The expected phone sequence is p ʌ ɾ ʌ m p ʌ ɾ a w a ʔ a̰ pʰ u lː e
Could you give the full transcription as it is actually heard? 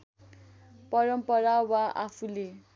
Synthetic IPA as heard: p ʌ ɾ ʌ m p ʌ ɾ a w a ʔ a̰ pʰ u l e